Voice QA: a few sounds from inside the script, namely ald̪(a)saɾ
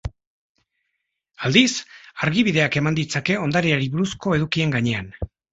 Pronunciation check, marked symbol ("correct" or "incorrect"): incorrect